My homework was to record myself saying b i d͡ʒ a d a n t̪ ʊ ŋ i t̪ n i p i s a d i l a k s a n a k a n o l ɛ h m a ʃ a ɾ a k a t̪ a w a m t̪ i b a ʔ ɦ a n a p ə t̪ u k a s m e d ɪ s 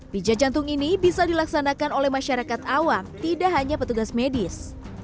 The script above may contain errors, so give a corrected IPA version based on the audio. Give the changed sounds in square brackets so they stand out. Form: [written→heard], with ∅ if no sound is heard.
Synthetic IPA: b i d͡ʒ a [d→d͡ʒ] a n t̪ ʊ ŋ i [t̪→∅] n i [p→b] i s a d i l a k s a n a k a n o l ɛ h m a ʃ a ɾ a k a t̪ a w a m t̪ i [b→d] a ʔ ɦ a [n→ɲ] a p ə t̪ u [k→ɡ] a s m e d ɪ s